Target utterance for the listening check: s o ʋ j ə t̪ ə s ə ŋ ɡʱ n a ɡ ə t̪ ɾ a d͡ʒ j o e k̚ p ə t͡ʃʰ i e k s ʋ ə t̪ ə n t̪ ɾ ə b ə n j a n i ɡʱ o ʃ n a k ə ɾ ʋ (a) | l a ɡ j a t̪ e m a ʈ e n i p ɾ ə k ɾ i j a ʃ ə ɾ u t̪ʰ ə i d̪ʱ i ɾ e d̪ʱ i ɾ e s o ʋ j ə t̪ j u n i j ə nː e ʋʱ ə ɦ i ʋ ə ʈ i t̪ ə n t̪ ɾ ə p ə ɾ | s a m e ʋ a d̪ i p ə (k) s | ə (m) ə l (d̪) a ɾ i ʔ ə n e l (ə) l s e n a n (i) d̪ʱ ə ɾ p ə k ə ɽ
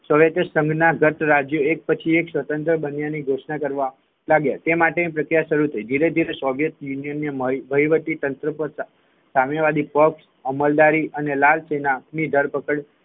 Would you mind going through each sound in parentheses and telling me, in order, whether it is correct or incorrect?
correct, correct, correct, correct, incorrect: a, correct

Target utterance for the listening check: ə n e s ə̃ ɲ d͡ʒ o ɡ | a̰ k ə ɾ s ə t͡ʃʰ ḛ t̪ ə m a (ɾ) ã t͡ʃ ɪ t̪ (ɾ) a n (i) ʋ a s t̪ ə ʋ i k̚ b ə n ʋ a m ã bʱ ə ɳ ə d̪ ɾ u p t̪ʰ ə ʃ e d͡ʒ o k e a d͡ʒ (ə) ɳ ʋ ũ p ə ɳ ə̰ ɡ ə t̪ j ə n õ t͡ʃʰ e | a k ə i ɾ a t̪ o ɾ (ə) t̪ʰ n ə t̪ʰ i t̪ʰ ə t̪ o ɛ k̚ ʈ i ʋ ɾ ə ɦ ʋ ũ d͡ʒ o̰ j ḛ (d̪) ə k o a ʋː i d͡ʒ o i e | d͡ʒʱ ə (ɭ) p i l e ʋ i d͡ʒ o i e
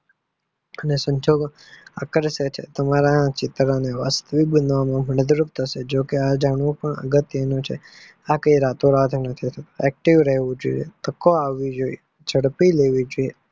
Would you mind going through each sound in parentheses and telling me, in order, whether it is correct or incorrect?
correct, correct, incorrect: e, incorrect: a, incorrect: a, incorrect: t̪, incorrect: ɽ

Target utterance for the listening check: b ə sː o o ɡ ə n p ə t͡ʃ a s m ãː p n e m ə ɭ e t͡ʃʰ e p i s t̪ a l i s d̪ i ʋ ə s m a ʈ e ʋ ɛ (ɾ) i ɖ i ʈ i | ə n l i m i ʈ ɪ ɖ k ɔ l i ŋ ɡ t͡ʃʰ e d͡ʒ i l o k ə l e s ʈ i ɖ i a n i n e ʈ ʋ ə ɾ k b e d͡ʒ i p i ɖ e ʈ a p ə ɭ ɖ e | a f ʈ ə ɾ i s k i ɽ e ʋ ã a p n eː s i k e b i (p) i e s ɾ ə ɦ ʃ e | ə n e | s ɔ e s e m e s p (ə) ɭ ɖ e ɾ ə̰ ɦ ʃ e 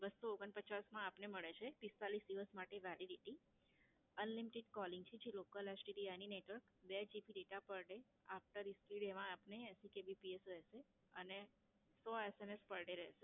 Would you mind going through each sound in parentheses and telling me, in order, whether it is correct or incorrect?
incorrect: l, correct, correct

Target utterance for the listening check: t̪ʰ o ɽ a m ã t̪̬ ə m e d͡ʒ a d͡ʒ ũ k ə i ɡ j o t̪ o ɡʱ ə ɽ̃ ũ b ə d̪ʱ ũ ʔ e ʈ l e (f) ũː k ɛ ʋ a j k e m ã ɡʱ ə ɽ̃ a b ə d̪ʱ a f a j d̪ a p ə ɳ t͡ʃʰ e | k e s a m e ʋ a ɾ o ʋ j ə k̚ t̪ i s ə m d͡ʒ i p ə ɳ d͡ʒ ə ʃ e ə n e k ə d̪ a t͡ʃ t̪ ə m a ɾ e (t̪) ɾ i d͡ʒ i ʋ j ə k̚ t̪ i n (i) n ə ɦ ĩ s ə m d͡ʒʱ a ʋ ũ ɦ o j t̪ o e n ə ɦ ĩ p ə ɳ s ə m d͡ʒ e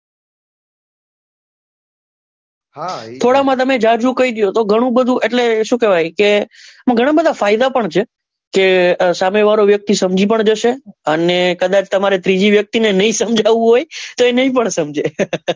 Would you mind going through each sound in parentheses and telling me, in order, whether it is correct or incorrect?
incorrect: ʃ, correct, incorrect: e

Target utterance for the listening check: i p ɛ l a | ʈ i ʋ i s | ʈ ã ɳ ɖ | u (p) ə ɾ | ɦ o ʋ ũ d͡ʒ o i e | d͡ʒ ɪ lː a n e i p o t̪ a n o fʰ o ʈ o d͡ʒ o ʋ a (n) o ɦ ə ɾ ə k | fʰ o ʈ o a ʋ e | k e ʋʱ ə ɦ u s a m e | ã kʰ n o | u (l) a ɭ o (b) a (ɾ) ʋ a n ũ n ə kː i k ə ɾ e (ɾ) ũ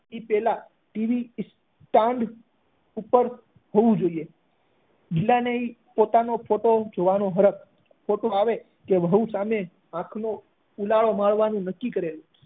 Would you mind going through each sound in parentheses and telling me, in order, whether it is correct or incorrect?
correct, correct, correct, incorrect: m, incorrect: ɭ, incorrect: l

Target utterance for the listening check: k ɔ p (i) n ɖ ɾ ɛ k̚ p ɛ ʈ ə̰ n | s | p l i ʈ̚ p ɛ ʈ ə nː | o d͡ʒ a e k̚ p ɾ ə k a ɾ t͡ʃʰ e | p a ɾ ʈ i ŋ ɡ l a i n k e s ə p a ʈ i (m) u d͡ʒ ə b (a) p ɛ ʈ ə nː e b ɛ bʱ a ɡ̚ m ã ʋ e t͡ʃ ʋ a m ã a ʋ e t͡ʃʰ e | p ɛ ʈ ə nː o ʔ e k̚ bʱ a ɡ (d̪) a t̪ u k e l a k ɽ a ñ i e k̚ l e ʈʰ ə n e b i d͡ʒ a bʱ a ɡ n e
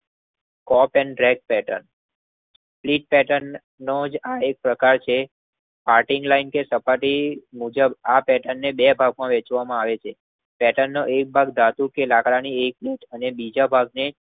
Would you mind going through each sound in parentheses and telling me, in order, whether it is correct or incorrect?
incorrect: ɛ, correct, correct, correct

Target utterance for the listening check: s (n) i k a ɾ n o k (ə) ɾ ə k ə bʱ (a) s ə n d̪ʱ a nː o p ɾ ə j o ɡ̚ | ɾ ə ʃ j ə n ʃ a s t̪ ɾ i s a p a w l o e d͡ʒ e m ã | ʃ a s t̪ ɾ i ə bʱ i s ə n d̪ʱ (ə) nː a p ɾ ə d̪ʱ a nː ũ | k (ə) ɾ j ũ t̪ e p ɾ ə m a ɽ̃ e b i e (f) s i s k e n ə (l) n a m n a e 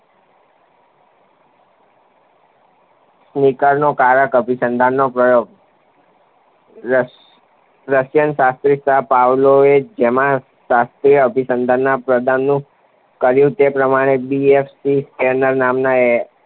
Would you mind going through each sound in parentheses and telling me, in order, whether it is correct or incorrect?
correct, incorrect: a, incorrect: i, incorrect: a, correct, correct, incorrect: ɾ

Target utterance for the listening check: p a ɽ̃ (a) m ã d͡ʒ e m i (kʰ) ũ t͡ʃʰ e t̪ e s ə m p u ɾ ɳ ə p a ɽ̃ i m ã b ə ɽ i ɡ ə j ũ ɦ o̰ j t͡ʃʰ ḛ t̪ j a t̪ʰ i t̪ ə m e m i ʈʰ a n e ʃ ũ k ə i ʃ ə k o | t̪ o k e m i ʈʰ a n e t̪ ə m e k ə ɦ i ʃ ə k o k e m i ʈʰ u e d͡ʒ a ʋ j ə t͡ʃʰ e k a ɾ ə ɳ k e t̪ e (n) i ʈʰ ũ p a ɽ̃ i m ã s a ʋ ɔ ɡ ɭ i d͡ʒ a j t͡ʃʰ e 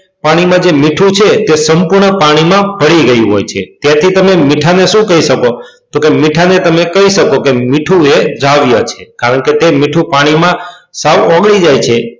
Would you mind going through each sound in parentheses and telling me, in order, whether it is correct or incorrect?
incorrect: i, incorrect: ʈʰ, incorrect: m

